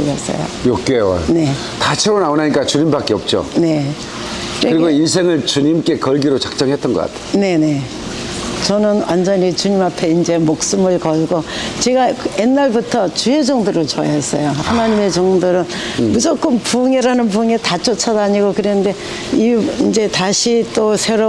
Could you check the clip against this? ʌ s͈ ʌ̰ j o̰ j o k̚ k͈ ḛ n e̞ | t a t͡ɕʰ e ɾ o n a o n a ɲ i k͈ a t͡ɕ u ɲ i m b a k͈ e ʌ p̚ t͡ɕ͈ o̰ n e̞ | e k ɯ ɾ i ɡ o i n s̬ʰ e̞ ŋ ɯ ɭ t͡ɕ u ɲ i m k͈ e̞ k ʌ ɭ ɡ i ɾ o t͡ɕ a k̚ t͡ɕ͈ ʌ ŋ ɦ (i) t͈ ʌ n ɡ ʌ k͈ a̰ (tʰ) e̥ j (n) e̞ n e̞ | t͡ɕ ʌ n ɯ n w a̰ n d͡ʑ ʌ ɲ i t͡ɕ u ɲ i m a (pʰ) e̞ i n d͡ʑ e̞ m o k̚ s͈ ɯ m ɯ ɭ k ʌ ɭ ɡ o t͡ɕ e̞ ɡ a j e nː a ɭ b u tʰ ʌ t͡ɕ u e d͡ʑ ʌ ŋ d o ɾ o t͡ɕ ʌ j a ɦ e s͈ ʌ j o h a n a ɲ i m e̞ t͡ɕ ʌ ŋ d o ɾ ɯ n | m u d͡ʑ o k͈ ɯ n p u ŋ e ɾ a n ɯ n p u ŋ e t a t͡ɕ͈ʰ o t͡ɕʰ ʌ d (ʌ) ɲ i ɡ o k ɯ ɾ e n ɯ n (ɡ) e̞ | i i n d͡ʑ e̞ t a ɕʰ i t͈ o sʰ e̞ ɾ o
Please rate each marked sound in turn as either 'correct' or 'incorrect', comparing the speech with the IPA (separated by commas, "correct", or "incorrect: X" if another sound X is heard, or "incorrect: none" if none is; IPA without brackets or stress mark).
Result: incorrect: e, correct, correct, correct, incorrect: a, incorrect: d